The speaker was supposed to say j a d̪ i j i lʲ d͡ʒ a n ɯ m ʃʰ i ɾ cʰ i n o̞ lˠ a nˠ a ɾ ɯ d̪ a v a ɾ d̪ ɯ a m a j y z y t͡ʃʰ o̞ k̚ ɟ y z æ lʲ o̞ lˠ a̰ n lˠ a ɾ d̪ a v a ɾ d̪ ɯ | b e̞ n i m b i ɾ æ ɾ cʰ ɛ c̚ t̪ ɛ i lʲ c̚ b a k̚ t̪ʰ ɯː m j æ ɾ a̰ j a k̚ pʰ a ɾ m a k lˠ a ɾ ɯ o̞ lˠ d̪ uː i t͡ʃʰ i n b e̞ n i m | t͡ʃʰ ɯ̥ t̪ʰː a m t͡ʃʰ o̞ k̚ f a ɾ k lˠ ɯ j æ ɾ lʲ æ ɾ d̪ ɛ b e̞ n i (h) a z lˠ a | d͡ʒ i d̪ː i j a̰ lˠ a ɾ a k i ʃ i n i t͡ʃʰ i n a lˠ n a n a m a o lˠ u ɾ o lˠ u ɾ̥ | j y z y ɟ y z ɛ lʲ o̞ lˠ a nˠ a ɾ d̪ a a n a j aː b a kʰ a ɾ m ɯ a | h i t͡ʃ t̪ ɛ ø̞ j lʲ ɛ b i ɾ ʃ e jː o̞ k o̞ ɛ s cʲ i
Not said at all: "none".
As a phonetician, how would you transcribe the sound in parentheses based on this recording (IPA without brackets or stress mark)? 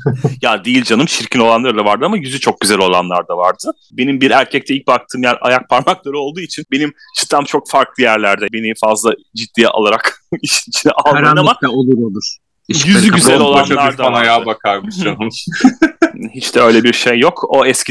f